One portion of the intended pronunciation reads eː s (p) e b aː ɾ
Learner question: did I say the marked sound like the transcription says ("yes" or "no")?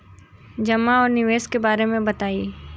no